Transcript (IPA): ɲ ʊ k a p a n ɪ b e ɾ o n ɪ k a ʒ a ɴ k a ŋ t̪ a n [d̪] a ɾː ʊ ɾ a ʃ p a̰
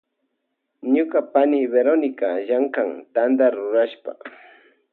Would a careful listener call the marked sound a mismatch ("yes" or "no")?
no